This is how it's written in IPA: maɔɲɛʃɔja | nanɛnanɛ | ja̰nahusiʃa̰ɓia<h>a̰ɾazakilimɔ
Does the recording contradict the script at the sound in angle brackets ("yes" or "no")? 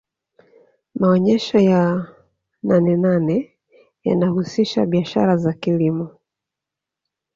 yes